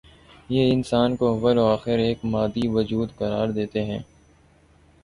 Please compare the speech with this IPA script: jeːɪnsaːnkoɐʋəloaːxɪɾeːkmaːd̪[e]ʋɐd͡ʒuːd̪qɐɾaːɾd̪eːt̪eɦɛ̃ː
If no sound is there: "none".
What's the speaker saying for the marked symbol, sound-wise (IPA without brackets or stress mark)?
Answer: i